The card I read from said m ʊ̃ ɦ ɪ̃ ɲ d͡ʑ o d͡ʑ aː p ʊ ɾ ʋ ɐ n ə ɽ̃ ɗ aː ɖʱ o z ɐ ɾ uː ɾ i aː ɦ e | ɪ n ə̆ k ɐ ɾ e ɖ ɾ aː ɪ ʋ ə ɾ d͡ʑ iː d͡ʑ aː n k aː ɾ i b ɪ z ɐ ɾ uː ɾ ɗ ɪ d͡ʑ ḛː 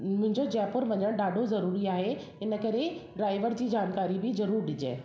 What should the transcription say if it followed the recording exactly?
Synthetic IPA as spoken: m ʊ̃ ɦ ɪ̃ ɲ d͡ʑ o d͡ʑ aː p ʊ ɾ ʋ ɐ ɲ ə ɽ̃ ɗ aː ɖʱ o z ɐ ɾ uː ɾ i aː ɦ e | ɪ n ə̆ k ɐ ɾ e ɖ ɾ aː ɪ ʋ ə ɾ d͡ʑ iː d͡ʑ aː n k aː ɾ i b ɪ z ɐ ɾ uː ɾ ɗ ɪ d͡ʑ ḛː